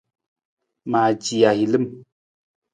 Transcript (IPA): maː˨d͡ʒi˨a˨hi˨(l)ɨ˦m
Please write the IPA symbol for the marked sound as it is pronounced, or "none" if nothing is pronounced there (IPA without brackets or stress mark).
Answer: l